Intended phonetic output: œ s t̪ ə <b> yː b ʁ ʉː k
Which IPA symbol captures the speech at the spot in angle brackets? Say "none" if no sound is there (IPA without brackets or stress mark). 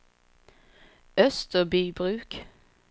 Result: b